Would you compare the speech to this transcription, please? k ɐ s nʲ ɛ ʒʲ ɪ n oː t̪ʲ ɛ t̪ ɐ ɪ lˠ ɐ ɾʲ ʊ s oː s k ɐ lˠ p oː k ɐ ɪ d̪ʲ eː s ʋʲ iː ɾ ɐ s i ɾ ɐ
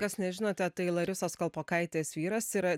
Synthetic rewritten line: k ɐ s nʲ ɛ ʒʲ ɪ n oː t̪ʲ ɛ t̪ ɐ ɪ lˠ ɐ ɾʲ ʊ s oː s k ɐ lˠ p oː k ɐ ɪ t̪ʲ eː s ʋʲ iː ɾ ɐ s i ɾ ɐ